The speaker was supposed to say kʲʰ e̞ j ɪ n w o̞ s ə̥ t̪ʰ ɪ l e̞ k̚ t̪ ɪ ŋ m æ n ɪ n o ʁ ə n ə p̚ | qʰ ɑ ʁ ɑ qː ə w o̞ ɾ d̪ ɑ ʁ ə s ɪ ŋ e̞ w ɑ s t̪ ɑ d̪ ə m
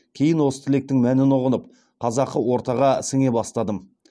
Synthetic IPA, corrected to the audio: kʲʰ e̞ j ɪ n w o̞ s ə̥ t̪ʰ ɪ l e̞ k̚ t̪ ɪ ŋ m æ n ɪ n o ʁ ə n ə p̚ | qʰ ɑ z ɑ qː ə w o̞ ɾ t̪ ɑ ʁ ɑ s ɪ ŋ e̞ b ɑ s t̪ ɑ d̪ ə m